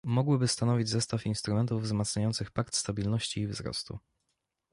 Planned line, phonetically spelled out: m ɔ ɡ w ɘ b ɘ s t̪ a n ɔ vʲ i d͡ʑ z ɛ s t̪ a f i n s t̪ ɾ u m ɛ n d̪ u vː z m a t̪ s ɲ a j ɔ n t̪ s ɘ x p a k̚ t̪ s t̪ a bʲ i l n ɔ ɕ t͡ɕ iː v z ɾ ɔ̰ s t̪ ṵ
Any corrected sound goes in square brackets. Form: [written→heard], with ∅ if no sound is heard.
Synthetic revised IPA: m ɔ ɡ w ɘ b ɘ s t̪ a n ɔ vʲ i d͡ʑ z ɛ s t̪ a f i n s t̪ ɾ u m ɛ n [d̪→t̪] u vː z m a t̪ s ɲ a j ɔ n t̪ s ɘ x p a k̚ t̪ s t̪ a bʲ i l n ɔ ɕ t͡ɕ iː v z ɾ ɔ̰ s t̪ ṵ